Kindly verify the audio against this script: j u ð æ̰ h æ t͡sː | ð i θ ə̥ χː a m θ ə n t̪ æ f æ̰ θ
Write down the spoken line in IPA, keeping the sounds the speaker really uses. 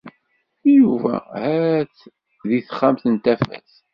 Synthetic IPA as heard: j u v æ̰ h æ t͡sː | ð i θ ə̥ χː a m θ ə n t̪ æ f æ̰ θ